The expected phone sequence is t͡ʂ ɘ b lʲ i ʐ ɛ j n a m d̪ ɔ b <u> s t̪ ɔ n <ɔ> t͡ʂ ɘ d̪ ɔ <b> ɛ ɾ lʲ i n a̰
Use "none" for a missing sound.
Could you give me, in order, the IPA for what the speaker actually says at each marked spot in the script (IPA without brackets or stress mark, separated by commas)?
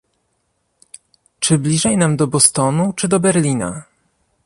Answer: ɔ, u, b